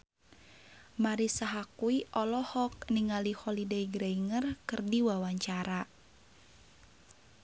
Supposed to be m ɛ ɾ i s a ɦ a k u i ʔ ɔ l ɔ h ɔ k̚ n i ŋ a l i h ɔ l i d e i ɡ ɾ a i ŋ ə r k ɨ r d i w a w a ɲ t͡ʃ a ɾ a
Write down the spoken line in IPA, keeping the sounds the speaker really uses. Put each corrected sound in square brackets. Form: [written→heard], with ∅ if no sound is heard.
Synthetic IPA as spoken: m [ɛ→a] ɾ i s a ɦ a k u i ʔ ɔ l ɔ h ɔ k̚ n i ŋ a l i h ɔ l i d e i ɡ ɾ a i ŋ ə r k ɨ r d i w a w a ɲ t͡ʃ a ɾ a